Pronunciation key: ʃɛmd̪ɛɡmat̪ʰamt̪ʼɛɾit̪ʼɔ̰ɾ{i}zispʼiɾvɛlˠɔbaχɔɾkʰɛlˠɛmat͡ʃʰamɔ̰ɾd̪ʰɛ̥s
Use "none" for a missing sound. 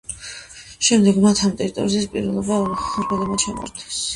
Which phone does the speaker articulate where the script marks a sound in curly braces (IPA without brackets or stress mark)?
i